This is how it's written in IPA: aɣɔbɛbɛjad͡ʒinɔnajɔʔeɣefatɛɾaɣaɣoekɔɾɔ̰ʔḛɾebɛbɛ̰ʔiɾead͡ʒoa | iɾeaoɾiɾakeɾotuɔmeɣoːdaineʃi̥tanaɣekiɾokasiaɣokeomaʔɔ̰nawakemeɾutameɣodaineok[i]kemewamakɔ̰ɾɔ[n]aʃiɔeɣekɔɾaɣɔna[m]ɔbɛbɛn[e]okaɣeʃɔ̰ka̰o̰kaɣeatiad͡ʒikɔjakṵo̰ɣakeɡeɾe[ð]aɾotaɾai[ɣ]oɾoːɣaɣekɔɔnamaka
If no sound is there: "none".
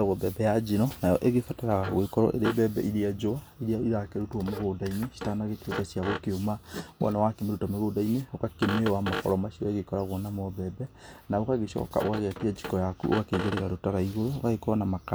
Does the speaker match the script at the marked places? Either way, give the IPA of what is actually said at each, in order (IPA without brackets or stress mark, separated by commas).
a, m, m, a, ɣ, ɣ